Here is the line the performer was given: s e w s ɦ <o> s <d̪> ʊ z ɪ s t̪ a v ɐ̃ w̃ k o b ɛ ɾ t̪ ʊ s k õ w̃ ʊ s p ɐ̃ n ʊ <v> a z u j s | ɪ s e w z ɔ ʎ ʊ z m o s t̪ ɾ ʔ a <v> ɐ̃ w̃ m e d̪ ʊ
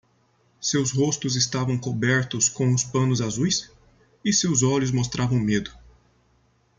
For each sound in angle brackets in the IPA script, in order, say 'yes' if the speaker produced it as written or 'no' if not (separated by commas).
yes, no, no, yes